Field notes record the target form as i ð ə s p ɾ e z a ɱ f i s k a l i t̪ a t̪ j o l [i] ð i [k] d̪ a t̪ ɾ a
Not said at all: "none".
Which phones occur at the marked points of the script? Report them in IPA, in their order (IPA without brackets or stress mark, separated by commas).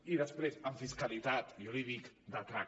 i, k